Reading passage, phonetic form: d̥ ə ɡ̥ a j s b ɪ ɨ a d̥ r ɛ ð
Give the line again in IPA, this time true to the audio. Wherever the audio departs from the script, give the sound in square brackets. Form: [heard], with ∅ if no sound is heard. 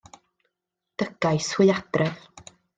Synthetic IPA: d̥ ə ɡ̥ a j s [w] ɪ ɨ a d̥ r ɛ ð